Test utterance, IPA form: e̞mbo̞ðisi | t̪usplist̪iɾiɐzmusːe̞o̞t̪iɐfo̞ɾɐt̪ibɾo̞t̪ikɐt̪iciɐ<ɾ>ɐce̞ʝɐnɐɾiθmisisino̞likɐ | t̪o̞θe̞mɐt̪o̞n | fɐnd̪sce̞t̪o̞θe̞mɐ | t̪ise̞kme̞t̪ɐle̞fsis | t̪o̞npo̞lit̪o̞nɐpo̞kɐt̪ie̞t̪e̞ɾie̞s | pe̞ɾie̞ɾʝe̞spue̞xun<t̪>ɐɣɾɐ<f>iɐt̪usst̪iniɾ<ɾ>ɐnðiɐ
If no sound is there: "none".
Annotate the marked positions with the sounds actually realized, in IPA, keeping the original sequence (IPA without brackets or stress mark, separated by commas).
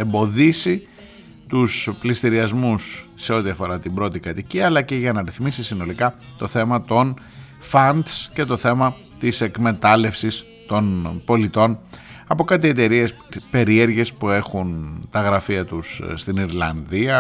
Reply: l, t̪, f, l